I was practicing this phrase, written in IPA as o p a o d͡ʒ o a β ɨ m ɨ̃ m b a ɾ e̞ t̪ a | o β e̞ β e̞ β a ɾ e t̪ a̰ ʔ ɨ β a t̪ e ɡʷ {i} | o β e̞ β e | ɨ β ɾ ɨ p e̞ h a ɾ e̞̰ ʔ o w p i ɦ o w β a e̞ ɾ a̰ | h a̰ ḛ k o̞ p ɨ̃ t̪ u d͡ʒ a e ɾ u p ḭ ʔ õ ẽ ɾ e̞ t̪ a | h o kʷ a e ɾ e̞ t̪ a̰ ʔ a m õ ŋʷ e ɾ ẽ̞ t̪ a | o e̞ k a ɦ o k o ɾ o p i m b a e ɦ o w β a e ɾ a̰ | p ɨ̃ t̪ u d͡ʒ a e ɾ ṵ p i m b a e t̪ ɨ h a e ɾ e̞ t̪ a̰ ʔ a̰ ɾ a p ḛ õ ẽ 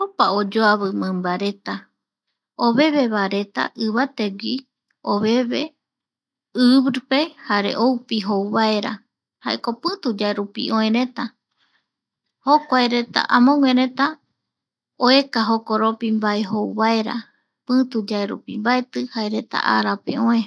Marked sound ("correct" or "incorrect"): correct